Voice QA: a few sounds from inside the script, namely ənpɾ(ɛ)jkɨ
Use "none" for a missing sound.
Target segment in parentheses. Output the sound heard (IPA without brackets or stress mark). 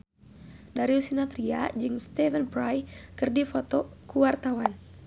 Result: a